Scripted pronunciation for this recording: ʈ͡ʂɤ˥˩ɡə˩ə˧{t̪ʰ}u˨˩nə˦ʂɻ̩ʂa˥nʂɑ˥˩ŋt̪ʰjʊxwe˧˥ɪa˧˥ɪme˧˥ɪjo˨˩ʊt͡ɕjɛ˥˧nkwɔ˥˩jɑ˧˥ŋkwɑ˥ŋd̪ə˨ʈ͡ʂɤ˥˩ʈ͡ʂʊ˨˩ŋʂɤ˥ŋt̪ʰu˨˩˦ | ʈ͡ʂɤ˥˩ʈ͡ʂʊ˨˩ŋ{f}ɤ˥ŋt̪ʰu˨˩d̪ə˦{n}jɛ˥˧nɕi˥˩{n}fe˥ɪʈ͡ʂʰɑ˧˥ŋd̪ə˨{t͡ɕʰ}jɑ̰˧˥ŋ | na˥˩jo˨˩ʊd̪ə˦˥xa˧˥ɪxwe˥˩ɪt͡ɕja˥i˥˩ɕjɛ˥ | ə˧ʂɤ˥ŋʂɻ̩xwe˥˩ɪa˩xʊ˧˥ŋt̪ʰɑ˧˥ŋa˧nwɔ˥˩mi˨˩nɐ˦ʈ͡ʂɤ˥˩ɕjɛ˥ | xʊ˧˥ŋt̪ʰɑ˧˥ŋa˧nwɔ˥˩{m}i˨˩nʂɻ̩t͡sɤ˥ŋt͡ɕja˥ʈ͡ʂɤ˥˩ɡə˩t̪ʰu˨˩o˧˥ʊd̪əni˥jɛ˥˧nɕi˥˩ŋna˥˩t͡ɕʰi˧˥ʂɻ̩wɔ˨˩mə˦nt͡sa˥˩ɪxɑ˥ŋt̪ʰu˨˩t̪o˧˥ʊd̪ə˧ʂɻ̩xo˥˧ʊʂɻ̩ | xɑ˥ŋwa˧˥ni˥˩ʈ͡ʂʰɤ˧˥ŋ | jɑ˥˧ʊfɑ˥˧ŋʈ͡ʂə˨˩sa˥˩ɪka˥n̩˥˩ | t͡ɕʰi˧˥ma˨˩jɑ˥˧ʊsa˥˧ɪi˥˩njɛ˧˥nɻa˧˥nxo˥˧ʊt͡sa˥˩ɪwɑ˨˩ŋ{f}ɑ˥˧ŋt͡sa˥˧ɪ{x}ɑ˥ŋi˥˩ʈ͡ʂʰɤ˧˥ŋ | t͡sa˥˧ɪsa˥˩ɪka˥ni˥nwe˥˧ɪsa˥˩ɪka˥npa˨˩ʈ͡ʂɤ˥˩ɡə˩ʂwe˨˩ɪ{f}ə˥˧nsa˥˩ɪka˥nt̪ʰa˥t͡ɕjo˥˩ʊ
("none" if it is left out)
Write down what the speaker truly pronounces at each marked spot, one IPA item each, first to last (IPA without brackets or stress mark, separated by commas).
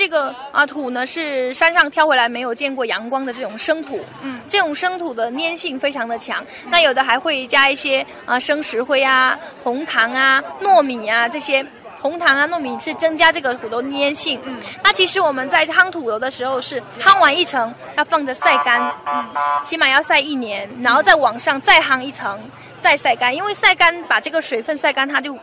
t̪ʰ, ʂ, n, ŋ, t͡ɕʰ, m, ʂ, x, f